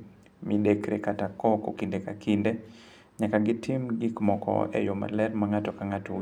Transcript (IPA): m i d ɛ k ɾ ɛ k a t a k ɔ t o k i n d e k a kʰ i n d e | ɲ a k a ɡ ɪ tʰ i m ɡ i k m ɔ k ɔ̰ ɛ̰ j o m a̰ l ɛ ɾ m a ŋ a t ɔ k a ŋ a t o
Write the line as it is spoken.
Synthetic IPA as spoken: m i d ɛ k ɾ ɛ k a t a k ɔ k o k i n d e k a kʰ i n d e | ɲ a k a ɡ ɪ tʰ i m ɡ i k m ɔ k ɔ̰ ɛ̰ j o m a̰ l ɛ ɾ m a ŋ a t ɔ k a ŋ a t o